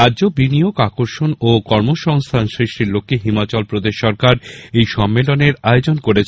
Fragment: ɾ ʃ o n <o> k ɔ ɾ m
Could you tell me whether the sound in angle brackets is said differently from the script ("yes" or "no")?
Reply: no